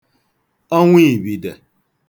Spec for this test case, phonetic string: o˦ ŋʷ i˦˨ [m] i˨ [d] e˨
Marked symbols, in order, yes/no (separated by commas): no, yes